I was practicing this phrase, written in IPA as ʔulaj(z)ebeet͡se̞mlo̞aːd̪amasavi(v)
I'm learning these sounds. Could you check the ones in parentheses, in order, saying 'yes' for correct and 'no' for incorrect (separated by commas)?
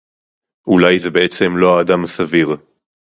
yes, no